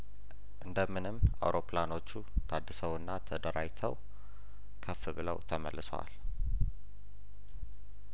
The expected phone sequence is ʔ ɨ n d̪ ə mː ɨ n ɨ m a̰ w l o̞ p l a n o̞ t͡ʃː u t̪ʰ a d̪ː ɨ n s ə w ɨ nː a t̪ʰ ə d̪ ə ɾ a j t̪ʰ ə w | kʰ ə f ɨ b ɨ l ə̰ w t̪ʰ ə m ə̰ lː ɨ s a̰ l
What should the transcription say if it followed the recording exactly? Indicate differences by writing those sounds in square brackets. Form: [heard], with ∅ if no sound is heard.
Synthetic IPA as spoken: ʔ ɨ n d̪ ə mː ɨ n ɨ m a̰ w [ɾ] o̞ p l a n o̞ t͡ʃː u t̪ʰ a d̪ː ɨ [∅] s ə w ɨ nː a t̪ʰ ə d̪ ə ɾ a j t̪ʰ ə w | kʰ ə f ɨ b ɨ l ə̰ w t̪ʰ ə m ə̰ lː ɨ s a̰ l

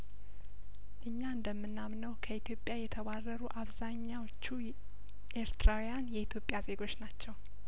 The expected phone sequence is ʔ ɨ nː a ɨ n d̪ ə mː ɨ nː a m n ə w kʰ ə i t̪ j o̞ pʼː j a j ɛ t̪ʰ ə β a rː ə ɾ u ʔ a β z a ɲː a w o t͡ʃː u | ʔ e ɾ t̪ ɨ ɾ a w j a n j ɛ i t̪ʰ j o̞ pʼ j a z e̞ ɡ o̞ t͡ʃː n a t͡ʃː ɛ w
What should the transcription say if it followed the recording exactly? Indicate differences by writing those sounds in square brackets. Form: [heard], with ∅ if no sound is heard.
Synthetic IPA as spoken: ʔ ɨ [ɲː] a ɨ n d̪ ə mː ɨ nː a m n ə w kʰ ə i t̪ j o̞ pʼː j a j ɛ t̪ʰ ə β a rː ə ɾ u ʔ a β z a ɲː a w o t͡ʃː u | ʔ e ɾ t̪ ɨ ɾ a w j a n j ɛ i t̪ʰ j o̞ pʼ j a z e̞ ɡ o̞ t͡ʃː n a t͡ʃː ɛ w

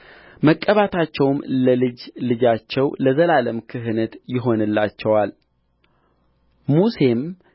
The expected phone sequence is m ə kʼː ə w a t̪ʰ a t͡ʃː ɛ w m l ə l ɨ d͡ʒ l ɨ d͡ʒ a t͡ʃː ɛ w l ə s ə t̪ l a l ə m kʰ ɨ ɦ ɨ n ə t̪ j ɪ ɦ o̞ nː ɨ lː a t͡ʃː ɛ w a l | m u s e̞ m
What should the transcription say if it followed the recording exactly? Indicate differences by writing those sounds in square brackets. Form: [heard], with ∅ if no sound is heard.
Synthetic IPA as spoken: m ə kʼː ə [β] a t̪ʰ a t͡ʃː ɛ w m l ə l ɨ d͡ʒ l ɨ d͡ʒ a t͡ʃː ɛ w l ə [z] ə [∅] l a l ə m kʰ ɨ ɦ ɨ n ə t̪ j ɪ ɦ o̞ [n] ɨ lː a t͡ʃː ɛ w a l | m u s e̞ m

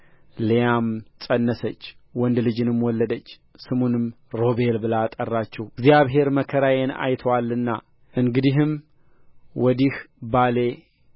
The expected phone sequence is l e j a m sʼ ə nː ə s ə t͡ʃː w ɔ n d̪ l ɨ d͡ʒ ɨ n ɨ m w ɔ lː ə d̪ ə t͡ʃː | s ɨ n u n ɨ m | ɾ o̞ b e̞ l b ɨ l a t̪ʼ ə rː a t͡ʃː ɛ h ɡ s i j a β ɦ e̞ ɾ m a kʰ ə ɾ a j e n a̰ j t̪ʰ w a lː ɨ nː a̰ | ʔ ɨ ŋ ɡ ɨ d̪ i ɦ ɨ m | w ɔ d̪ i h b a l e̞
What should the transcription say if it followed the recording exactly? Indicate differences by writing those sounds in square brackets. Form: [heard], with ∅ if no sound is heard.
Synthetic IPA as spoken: l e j a m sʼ ə nː ə s ə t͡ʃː w ɔ n d̪ l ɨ d͡ʒ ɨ n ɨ m w ɔ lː ə d̪ ə t͡ʃː | s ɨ [m] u n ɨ m | ɾ o̞ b e̞ l b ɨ l a t̪ʼ ə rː a t͡ʃː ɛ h ɡ [z] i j a β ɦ e̞ ɾ m [ə] kʰ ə ɾ a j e n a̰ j t̪ʰ w a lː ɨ nː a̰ | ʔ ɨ ŋ ɡ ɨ d̪ i ɦ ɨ m | w ɔ d̪ i h b a l e̞

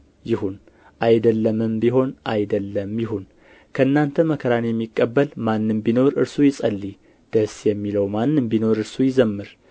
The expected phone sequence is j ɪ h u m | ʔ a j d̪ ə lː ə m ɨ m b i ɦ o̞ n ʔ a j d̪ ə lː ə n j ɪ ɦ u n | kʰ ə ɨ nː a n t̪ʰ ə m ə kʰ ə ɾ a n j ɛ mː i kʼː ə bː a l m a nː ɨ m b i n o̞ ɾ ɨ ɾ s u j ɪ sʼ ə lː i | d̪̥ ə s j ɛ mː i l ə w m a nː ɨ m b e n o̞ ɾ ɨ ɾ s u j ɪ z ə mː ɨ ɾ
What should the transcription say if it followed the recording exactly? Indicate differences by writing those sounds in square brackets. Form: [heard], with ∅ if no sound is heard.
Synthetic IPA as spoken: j ɪ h u [n] | ʔ a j d̪ ə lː ə m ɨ m b i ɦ o̞ n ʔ a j d̪ ə lː ə [m] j ɪ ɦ u n | kʰ ə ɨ nː a n t̪ʰ ə m ə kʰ ə ɾ a n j ɛ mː i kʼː ə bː [ə] l m a nː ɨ m b i n o̞ ɾ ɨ ɾ s u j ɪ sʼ ə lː i | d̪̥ ə s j ɛ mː i l ə w m a nː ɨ m b [i] n o̞ ɾ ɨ ɾ s u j ɪ z ə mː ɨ ɾ

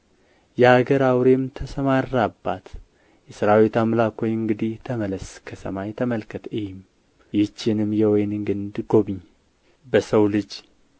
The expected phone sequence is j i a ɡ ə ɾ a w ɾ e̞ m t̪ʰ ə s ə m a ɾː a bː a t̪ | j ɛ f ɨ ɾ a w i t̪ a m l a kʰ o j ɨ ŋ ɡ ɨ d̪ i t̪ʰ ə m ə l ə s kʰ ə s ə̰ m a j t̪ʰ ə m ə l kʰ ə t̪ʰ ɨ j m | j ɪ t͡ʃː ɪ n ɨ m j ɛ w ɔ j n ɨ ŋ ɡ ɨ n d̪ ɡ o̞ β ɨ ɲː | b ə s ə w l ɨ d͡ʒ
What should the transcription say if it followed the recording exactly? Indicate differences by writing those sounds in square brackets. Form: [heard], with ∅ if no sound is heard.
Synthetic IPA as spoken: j [ɛ] a ɡ ə ɾ a w ɾ e̞ m t̪ʰ ə s ə m a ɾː a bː a t̪ | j ɛ [s] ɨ ɾ a w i t̪ a m l a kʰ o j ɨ ŋ ɡ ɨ d̪ i t̪ʰ ə m ə l ə s kʰ ə s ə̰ m a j t̪ʰ ə m ə l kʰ ə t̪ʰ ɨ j m | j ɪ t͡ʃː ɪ n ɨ m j ɛ w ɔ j n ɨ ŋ ɡ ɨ n d̪ ɡ o̞ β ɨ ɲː | b ə s ə w l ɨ d͡ʒ

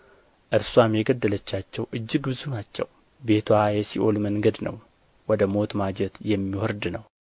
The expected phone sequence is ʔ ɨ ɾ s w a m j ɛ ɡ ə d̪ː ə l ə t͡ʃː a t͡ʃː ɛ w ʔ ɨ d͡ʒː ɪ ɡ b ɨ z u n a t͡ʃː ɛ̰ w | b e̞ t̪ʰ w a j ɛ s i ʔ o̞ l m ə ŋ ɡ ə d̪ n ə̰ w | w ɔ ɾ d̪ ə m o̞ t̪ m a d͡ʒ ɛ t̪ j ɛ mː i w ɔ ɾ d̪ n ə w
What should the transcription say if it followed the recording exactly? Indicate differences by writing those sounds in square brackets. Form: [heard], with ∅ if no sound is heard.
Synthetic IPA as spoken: ʔ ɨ ɾ s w a m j ɛ ɡ ə d̪ː ə l ə t͡ʃː a t͡ʃː ɛ w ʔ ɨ d͡ʒː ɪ ɡ b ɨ z u n a t͡ʃː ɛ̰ w | b e̞ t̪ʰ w a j ɛ s i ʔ o̞ l m ə ŋ ɡ ə d̪ n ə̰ w | w ɔ [∅] d̪ ə m o̞ t̪ m a d͡ʒ ɛ t̪ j ɛ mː i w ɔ ɾ d̪ n ə w

